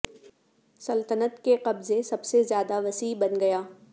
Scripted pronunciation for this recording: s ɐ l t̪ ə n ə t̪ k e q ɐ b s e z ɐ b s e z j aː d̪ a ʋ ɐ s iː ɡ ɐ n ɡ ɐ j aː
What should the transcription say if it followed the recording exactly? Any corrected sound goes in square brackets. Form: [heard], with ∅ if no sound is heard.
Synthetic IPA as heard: s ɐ l t̪ ə n ə t̪ k e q ɐ b [z] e [s] ɐ b s e z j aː d̪ a ʋ ɐ s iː [b] ɐ n ɡ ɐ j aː